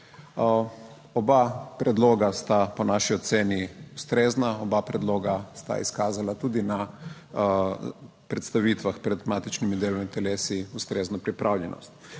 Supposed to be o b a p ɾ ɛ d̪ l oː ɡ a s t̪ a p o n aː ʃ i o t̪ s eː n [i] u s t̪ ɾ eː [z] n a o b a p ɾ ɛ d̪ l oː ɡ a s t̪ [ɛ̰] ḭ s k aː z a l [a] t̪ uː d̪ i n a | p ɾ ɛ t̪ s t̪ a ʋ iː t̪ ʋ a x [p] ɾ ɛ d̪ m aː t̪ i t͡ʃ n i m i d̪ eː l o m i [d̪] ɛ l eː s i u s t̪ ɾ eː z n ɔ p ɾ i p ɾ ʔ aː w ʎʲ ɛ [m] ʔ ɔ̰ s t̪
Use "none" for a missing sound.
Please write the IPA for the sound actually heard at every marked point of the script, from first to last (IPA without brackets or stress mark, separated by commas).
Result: i, z, a̰, a, p, t̪, n